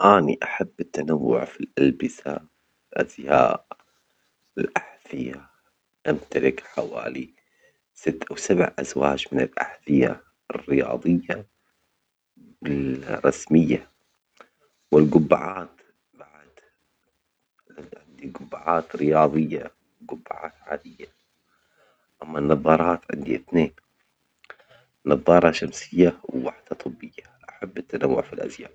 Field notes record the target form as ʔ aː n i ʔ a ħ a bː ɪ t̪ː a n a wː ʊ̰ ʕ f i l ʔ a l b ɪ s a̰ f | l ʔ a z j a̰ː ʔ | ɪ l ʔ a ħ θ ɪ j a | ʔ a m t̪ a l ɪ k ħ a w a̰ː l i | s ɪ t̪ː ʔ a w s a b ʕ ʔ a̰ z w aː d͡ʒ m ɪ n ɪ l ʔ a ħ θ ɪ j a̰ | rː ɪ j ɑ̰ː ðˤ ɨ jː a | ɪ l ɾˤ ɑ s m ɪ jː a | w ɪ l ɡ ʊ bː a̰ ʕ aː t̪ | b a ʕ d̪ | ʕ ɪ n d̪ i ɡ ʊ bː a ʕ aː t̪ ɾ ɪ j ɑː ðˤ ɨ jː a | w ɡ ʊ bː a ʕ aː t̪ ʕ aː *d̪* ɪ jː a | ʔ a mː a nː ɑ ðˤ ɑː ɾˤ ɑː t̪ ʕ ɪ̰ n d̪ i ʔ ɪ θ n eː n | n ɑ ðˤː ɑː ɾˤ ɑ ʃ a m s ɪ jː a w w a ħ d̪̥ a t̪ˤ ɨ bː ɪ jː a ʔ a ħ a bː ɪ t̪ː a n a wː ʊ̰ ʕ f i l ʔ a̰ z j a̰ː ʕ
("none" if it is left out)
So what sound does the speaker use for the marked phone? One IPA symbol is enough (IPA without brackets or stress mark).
d̪